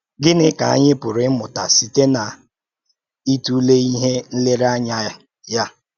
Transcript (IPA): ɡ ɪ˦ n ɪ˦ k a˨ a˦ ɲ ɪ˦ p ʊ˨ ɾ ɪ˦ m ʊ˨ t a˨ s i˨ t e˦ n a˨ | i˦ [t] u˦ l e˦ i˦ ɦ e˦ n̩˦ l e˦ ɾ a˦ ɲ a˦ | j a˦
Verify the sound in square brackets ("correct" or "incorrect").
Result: correct